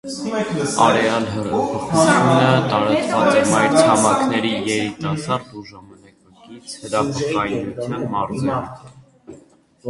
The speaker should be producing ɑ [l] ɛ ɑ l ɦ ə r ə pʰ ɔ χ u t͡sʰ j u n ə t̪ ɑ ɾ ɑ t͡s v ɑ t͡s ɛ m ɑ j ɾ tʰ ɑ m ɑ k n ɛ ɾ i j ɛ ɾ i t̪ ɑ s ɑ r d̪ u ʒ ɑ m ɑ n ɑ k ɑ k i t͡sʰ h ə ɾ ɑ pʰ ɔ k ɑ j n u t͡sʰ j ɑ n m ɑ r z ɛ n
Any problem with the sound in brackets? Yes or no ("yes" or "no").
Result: yes